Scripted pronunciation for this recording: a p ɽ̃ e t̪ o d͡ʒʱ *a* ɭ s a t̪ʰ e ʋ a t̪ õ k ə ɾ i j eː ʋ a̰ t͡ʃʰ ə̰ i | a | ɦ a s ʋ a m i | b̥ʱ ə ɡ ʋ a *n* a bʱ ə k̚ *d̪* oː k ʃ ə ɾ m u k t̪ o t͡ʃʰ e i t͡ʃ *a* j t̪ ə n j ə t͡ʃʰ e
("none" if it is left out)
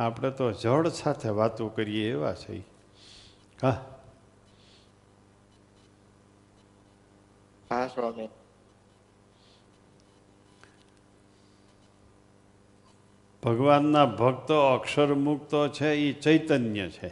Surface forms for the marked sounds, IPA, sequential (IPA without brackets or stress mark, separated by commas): ə, nː, t̪, ə